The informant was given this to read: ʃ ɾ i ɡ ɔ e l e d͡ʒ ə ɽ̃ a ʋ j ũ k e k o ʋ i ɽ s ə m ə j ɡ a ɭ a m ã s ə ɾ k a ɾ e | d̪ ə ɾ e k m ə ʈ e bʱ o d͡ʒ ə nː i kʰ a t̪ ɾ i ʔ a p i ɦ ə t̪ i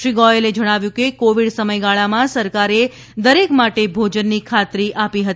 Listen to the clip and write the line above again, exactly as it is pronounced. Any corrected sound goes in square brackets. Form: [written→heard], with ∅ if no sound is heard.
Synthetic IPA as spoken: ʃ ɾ i ɡ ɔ e l e d͡ʒ ə ɽ̃ a ʋ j ũ k e k o ʋ i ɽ s ə m ə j ɡ a ɭ a m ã s ə ɾ k a ɾ e | d̪ ə ɾ e k m [ə→a] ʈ e bʱ o d͡ʒ ə nː i kʰ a t̪ ɾ i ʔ a p i ɦ ə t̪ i